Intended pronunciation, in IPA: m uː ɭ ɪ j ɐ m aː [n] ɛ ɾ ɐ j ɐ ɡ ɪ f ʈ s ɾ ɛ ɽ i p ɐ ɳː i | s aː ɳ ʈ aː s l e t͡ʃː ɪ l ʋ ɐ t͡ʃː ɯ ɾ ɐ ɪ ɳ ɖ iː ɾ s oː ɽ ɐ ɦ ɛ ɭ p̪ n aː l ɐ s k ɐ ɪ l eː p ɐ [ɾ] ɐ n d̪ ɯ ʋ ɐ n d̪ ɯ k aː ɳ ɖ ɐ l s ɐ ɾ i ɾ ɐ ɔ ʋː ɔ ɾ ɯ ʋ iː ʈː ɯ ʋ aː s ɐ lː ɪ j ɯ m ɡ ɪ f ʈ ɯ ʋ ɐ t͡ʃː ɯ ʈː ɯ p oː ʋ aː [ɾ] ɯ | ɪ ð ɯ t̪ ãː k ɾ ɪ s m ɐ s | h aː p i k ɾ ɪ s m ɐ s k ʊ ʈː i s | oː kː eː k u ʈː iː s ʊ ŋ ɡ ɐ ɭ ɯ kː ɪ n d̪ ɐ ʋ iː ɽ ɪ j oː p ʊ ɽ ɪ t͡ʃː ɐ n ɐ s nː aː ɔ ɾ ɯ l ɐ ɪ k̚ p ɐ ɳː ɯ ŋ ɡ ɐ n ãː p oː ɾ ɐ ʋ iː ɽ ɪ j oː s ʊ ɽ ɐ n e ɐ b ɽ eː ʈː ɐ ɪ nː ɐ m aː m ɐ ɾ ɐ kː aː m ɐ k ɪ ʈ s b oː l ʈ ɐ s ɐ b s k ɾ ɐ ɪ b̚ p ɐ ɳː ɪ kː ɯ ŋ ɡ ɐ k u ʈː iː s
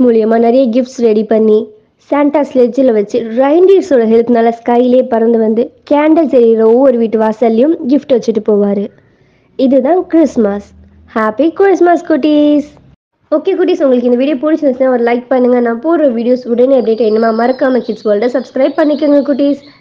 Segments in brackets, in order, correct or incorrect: correct, correct, correct

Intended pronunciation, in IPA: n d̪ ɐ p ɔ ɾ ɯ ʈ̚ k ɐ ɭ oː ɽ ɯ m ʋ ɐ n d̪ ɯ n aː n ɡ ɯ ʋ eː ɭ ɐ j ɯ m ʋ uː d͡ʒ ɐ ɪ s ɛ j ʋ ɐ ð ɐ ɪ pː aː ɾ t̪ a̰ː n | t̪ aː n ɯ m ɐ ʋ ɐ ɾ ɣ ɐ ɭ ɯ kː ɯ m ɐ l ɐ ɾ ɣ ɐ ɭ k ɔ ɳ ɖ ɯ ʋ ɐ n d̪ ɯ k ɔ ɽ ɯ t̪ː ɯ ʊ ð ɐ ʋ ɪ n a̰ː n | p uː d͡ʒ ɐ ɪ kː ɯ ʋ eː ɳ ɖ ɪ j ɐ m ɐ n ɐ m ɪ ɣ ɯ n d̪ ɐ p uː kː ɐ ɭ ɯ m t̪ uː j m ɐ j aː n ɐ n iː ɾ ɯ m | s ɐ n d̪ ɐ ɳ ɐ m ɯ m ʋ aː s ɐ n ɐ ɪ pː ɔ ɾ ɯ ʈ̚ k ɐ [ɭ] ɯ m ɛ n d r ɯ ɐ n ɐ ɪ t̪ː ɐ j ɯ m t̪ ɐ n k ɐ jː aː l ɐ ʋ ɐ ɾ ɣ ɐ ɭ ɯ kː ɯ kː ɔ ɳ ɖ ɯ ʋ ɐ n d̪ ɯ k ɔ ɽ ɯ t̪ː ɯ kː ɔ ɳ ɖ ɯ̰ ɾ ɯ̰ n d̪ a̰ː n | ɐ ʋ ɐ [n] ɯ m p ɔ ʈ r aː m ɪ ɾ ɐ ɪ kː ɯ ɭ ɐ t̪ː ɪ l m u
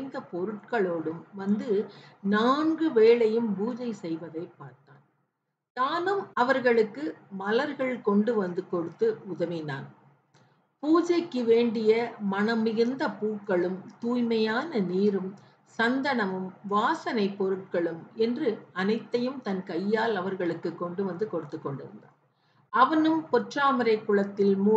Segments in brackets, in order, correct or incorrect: correct, correct

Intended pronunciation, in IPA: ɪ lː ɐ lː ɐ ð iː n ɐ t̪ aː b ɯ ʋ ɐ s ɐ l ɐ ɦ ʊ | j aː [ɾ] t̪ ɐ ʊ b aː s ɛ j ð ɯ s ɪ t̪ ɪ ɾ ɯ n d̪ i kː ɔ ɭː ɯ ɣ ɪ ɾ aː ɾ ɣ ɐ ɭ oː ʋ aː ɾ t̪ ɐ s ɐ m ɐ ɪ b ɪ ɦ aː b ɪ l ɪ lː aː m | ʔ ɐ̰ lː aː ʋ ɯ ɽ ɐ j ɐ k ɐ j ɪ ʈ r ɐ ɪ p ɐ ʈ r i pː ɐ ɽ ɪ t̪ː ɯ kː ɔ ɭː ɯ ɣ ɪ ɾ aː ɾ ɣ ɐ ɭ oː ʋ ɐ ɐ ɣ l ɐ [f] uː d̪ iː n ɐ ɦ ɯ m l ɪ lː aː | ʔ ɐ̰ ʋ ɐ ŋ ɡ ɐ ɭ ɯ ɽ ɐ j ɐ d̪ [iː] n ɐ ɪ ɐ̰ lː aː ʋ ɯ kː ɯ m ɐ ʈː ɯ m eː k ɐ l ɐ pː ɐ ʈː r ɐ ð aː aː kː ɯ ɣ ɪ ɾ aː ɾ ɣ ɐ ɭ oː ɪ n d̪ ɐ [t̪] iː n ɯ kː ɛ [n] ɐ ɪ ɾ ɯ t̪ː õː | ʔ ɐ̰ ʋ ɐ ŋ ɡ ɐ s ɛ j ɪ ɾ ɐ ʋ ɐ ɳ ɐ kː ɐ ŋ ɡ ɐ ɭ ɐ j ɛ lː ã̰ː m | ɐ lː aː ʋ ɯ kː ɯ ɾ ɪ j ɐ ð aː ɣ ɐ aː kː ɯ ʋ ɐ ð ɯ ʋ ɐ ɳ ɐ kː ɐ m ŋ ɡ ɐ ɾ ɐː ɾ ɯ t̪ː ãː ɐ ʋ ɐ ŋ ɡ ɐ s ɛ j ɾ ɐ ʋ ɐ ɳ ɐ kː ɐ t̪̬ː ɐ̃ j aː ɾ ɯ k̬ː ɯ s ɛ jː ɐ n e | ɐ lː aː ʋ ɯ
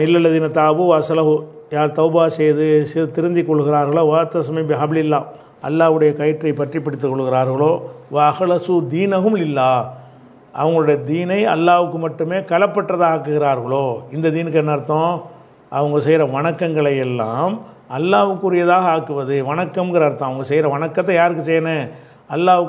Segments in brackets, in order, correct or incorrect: correct, incorrect: s, correct, incorrect: d̪, incorrect: nː

